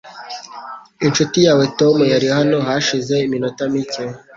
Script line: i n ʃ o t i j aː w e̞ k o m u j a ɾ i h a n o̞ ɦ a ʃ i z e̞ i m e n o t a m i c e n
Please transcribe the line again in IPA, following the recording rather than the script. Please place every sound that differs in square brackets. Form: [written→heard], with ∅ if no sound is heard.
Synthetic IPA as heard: i n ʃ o t i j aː w e̞ [k→t] o m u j a ɾ i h a n o̞ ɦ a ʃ i z e̞ i m [e→i] n o t a m i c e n